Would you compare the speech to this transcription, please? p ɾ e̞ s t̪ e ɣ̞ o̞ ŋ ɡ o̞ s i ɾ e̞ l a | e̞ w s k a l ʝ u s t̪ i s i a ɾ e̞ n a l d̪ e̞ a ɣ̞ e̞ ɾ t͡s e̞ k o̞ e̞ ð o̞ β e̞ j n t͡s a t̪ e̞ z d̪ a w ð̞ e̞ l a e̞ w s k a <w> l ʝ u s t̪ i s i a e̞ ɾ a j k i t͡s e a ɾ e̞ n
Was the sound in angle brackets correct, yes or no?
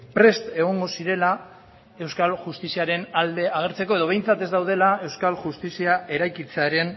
no